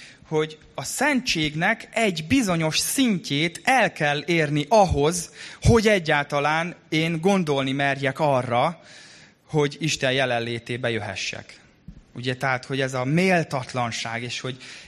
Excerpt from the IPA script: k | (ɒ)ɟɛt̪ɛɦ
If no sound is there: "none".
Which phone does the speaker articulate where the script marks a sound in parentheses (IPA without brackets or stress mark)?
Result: u